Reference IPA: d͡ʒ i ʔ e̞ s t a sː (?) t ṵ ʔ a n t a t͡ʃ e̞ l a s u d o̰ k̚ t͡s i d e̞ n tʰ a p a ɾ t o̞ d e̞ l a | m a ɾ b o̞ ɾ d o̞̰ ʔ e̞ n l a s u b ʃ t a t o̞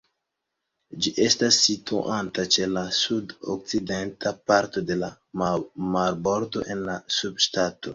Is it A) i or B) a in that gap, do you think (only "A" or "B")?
A